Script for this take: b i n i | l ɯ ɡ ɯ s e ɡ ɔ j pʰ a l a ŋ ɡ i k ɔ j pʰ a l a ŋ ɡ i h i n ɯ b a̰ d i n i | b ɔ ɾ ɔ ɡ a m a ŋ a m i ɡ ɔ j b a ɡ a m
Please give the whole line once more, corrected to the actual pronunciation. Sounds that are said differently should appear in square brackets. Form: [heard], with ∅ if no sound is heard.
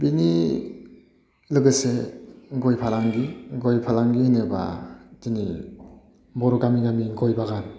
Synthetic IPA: b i n i | l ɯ ɡ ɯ s e ɡ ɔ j pʰ a l a ŋ ɡ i [ɡ] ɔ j pʰ a l a ŋ ɡ i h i n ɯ b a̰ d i n i | b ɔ ɾ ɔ ɡ a m [i] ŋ a m i ɡ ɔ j b a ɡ a [n]

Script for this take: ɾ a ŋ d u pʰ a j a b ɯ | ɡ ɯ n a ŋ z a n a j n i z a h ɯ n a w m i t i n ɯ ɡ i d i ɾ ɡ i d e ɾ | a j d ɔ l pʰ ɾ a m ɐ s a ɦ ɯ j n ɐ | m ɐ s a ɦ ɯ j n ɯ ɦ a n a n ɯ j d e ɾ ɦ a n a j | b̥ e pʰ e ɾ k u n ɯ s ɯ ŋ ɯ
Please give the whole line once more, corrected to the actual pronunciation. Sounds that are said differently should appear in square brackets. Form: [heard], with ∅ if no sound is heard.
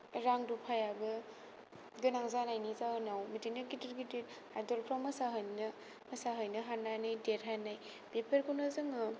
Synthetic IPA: ɾ a ŋ d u pʰ a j a b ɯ | ɡ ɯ n a ŋ z a n a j n i z a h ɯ n a w m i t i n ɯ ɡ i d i ɾ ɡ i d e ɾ | a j d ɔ l pʰ ɾ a m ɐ s a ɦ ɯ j n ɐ | m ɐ s a ɦ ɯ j n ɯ ɦ a n a n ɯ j d e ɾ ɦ a n a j | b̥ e pʰ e ɾ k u n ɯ [z] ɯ ŋ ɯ

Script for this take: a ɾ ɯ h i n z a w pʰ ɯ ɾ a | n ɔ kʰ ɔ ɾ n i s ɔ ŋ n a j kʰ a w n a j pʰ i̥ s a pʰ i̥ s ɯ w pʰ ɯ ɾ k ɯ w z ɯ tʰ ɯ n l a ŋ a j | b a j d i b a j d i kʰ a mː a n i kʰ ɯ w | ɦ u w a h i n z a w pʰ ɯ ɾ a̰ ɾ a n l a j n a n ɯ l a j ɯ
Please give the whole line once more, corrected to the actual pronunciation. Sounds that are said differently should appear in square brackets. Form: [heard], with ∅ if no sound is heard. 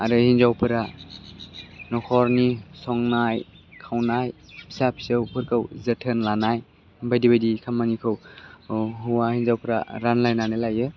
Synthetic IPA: a ɾ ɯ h i n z a w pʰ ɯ ɾ a | n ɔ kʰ ɔ ɾ n i s ɔ ŋ n a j kʰ a w n a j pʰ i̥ s a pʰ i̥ s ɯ w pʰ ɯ ɾ k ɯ w z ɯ tʰ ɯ n l a [n] a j | b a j d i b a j d i kʰ a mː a n i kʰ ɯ w | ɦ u w a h i n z a w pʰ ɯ ɾ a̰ ɾ a n l a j n a n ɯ l a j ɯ

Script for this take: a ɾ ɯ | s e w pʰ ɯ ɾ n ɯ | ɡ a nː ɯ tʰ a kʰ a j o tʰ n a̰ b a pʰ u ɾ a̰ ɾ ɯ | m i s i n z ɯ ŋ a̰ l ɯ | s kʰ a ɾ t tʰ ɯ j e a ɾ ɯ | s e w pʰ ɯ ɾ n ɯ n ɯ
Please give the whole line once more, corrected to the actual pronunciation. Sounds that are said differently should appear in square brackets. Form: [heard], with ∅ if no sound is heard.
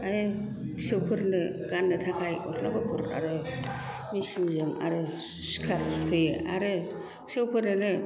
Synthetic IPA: a ɾ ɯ | s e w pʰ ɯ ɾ n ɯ | ɡ a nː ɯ tʰ a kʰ a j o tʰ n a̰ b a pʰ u ɾ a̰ ɾ ɯ | m i s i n z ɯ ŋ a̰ [ɾ] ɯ | s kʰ a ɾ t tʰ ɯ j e a ɾ ɯ | s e w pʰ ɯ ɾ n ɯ n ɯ

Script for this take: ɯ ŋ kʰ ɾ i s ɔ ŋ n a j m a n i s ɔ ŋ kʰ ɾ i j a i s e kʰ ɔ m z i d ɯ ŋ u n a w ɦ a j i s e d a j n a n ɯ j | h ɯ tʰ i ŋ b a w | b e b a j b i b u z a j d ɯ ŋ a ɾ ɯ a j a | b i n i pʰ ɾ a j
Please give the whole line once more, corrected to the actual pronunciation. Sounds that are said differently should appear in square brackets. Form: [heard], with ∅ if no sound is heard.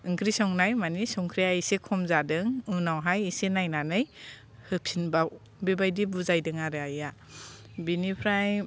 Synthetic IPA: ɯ ŋ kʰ ɾ i s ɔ ŋ n a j m a n i s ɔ ŋ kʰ ɾ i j a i s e kʰ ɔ m z [a] d ɯ ŋ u n a w ɦ a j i s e [n] a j n a n ɯ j | h ɯ [pʰ] i [n] b a w | b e b a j [d] i b u z a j d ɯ ŋ a ɾ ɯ a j a | b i n i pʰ ɾ a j

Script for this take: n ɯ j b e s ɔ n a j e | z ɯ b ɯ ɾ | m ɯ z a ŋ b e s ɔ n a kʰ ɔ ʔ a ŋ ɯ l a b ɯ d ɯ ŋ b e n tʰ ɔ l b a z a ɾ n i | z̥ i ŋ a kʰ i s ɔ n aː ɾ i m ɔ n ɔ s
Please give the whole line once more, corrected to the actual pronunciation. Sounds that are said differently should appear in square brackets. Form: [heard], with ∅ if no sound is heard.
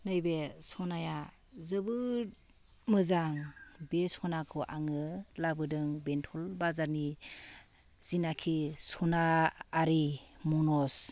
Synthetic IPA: n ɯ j b e s ɔ n a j [a] | z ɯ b ɯ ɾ | m ɯ z a ŋ b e s ɔ n a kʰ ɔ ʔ a ŋ ɯ l a b ɯ d ɯ ŋ b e n tʰ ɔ l b a z a ɾ n i | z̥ i [n] a kʰ i s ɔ n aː ɾ i m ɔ n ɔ s

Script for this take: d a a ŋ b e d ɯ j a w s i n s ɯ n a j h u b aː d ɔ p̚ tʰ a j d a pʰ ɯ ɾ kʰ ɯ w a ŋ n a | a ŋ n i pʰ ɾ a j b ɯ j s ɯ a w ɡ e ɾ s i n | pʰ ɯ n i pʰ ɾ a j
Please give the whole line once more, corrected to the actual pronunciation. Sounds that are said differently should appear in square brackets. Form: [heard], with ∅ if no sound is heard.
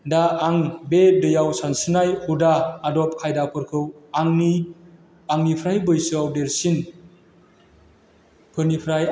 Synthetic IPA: d a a ŋ b e d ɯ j a w s [a] n s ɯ n a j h u [d] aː d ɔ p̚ [kʰ] a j d a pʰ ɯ ɾ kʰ ɯ w a ŋ n [i] | a ŋ n i pʰ ɾ a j b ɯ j s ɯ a w [d] e ɾ s i n | pʰ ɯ n i pʰ ɾ a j

